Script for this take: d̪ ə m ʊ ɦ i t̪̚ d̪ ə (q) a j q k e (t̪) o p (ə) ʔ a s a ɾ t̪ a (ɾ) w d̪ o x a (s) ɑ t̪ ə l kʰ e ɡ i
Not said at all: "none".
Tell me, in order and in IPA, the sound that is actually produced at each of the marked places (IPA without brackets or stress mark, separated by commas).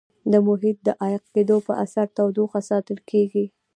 ʔ, d̪, ə, none, s